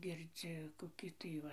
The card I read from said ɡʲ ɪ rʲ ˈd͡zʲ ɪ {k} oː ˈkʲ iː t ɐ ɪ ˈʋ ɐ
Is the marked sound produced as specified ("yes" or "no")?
yes